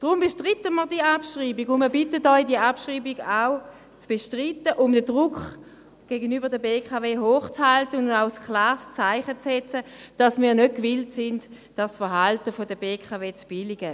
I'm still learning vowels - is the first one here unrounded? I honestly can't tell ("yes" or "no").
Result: no